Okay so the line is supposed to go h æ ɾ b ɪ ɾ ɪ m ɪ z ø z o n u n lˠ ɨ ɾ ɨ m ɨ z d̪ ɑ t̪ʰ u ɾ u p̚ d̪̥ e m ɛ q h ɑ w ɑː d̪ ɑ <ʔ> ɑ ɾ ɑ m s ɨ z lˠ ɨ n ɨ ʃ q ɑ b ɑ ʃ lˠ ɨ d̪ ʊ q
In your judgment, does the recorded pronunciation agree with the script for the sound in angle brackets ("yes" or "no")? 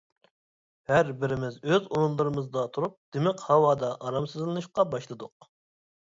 yes